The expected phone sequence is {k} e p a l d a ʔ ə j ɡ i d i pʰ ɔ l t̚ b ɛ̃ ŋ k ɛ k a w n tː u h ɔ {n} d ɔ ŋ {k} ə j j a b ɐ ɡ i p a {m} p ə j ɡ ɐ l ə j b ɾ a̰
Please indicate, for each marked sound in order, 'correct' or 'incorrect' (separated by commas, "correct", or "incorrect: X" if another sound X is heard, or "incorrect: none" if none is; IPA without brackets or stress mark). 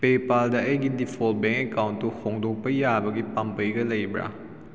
incorrect: p, incorrect: ŋ, incorrect: p, correct